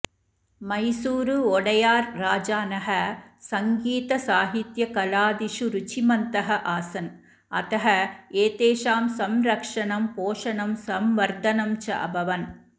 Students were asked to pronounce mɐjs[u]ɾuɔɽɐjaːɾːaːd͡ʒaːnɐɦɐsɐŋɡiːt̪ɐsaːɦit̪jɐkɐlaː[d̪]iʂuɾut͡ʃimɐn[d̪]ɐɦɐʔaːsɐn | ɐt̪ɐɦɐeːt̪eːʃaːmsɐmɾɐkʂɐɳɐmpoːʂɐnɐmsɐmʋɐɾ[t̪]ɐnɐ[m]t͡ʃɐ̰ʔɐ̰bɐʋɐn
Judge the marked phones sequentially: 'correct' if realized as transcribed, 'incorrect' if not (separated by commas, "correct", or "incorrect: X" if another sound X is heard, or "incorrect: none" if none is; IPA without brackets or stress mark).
incorrect: uː, correct, incorrect: t̪, incorrect: d̪, correct